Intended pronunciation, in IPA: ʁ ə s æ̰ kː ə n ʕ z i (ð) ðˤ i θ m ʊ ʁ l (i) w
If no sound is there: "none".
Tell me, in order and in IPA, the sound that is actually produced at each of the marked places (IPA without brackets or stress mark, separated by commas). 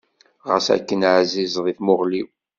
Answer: z, i